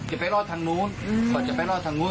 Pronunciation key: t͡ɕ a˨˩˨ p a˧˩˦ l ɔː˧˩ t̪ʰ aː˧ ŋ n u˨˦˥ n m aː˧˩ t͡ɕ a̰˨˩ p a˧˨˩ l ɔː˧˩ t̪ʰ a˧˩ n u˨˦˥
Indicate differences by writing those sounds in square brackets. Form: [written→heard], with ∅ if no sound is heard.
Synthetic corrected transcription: t͡ɕ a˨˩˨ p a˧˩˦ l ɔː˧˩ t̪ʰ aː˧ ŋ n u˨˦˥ n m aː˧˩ t͡ɕ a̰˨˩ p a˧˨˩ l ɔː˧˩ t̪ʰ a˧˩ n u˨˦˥